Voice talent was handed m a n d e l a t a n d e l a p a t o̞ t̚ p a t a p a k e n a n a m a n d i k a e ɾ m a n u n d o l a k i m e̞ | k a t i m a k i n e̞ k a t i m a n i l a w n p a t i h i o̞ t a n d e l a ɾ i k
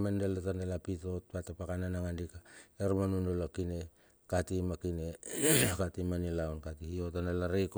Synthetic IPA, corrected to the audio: m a n d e l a t a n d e l a p i t o̞ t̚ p a t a p a k a n a n a ŋ a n d i k a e ɾ m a n u n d o l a k i n e̞ | k a t i m a k i n e̞ k a t i m a n i l a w n k a t i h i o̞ t a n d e l a ɾ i k